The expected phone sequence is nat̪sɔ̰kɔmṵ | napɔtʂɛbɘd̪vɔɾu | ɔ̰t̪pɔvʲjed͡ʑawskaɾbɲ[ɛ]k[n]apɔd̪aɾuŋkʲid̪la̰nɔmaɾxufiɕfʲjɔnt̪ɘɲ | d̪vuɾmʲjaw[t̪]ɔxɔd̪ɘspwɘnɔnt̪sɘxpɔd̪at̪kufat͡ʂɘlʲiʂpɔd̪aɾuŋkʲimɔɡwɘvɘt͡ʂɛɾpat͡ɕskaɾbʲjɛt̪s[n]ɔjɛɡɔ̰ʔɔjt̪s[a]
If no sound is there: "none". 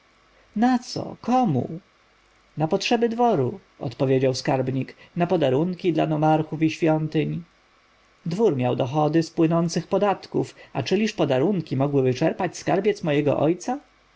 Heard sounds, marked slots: i, n, d̪, m, a

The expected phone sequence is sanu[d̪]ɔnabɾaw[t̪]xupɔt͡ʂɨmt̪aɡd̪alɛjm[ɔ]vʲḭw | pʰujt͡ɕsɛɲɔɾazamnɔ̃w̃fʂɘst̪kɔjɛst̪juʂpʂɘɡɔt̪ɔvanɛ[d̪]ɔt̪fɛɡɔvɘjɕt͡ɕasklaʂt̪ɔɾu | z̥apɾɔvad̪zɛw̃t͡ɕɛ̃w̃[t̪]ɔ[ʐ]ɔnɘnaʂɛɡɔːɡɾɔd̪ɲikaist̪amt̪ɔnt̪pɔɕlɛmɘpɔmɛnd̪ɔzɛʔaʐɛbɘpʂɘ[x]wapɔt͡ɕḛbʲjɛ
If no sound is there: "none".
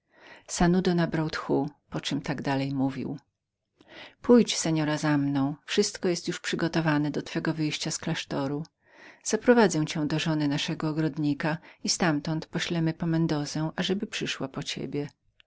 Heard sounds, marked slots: d̪, t̪, u, d̪, d̪, ʐ, ʂ

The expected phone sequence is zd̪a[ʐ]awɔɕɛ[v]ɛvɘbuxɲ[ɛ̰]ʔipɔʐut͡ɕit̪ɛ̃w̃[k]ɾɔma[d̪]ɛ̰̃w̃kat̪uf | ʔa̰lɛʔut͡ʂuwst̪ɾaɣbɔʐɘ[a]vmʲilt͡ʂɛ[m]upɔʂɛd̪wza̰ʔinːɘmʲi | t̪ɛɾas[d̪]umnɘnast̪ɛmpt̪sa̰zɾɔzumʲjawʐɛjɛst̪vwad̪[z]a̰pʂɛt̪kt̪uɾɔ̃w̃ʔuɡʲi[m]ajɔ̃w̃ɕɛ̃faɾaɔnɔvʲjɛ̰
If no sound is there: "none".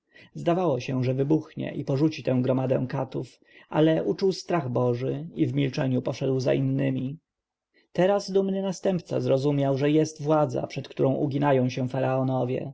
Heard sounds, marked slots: v, ʐ, ɛ̰, ɡ, d̪, i, ɲ, d̪, z, n

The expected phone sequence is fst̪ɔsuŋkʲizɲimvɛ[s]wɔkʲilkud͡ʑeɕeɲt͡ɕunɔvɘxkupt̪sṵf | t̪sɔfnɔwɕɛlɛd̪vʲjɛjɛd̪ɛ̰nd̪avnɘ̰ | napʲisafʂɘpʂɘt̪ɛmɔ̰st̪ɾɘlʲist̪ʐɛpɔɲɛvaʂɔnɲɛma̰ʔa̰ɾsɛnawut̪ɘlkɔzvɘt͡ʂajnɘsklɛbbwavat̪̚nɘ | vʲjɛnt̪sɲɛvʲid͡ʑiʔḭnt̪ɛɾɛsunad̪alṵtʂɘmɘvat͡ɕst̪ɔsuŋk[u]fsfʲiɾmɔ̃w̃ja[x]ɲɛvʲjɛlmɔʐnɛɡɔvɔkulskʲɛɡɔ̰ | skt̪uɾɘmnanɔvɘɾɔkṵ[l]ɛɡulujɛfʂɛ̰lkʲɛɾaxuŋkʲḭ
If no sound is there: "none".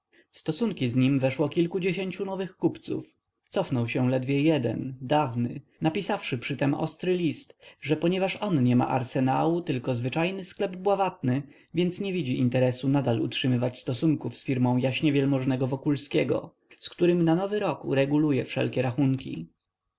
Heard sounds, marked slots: ʂ, u, ɕ, ɾ

